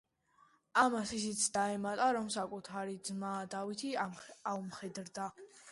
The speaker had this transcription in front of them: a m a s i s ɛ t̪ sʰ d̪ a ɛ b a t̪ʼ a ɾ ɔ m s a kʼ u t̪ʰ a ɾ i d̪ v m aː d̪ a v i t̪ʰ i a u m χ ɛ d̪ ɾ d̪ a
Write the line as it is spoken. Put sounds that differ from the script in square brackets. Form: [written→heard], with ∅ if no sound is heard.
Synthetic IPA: a m a s i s [ɛ→i] t̪ sʰ d̪ a ɛ [b→m] a t̪ʼ a ɾ ɔ m s a kʼ u t̪ʰ a ɾ i d̪ [v→z] m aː d̪ a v i t̪ʰ i a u m χ ɛ d̪ ɾ d̪ a

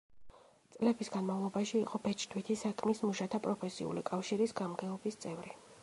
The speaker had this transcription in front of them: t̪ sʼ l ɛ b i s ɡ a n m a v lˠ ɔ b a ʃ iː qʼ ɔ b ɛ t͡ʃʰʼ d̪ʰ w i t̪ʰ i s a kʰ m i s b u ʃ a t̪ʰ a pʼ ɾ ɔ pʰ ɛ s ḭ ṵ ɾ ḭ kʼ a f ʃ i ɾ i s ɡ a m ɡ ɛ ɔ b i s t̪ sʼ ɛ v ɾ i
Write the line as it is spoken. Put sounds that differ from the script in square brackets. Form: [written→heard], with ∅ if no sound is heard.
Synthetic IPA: t̪ sʼ l ɛ b i s ɡ a n m a v lˠ ɔ b a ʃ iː qʼ ɔ b ɛ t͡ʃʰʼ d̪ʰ w i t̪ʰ i s a kʰ m i s [b→m] u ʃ a t̪ʰ a pʼ ɾ ɔ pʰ ɛ s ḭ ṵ [ɾ→l] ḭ kʼ a f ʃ i ɾ i s ɡ a m ɡ ɛ ɔ b i s t̪ sʼ ɛ v ɾ i

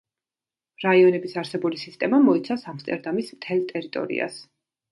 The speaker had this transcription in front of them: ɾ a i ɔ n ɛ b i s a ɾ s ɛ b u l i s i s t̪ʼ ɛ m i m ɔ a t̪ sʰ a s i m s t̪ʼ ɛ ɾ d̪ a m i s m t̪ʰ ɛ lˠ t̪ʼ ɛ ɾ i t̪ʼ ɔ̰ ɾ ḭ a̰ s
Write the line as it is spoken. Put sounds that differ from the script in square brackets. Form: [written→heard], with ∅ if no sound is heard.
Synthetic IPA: ɾ a i ɔ n ɛ b i s a ɾ s ɛ b u l i s i s t̪ʼ ɛ m [i→a] m ɔ [a→i] t̪ sʰ a s [i→a] m s t̪ʼ ɛ ɾ d̪ a m i s m t̪ʰ ɛ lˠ t̪ʼ ɛ ɾ i t̪ʼ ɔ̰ ɾ ḭ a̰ s

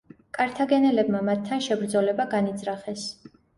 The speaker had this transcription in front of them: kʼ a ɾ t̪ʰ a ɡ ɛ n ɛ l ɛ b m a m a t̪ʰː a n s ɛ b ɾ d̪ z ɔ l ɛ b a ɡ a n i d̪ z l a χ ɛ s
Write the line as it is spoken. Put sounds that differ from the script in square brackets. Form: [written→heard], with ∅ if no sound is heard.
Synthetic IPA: kʼ a ɾ t̪ʰ a ɡ ɛ n ɛ l ɛ b m a m a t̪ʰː a n [s→ʃ] ɛ b ɾ d̪ z ɔ l ɛ b a ɡ a n i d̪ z [l→ɾ] a χ ɛ s

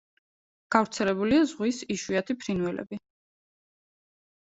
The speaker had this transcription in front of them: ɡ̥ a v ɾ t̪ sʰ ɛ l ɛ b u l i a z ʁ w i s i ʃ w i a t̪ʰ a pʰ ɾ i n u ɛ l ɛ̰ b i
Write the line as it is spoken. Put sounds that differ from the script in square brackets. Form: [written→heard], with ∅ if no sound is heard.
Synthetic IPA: ɡ̥ a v ɾ t̪ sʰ ɛ l ɛ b u l i a z ʁ w i s i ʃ w i a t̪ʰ [a→i] pʰ ɾ i n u ɛ l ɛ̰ b i

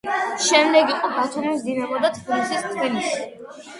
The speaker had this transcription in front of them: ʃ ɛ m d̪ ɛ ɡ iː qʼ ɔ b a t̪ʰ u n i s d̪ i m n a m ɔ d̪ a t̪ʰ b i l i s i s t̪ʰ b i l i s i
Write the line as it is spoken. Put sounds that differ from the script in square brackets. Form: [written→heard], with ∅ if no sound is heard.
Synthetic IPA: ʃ ɛ m d̪ ɛ ɡ [iː→i] qʼ ɔ b a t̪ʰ u [n→m] i s d̪ i [m→∅] n a m ɔ d̪ a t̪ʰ b i l i s i s t̪ʰ b i l i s i

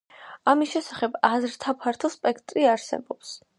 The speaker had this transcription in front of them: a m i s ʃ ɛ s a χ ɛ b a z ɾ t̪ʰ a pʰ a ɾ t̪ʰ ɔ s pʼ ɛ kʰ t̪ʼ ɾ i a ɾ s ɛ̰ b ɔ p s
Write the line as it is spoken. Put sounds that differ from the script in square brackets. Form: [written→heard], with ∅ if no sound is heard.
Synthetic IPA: a m i s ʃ ɛ s a χ ɛ b a z ɾ t̪ʰ a pʰ a ɾ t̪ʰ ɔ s pʼ ɛ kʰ t̪ʼ ɾ i a ɾ s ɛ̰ b ɔ p s

